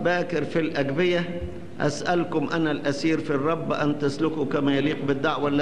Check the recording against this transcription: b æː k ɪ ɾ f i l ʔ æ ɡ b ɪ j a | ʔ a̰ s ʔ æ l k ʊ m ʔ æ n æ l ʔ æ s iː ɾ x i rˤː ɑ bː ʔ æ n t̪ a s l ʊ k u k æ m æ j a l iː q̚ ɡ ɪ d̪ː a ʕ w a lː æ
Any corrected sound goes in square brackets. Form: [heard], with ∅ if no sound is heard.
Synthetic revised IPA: b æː k ɪ ɾ f i l ʔ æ ɡ b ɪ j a | ʔ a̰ s ʔ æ l k ʊ m ʔ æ n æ l ʔ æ s iː ɾ [f] i rˤː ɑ bː ʔ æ n t̪ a s l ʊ k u k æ m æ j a l iː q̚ [b] ɪ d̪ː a ʕ w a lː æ